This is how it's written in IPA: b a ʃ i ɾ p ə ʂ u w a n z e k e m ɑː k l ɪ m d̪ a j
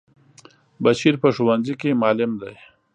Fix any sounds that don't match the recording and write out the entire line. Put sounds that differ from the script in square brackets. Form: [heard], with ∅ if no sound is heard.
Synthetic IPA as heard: b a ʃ i ɾ p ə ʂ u w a n z [i] k e m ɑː [∅] l ɪ m d̪ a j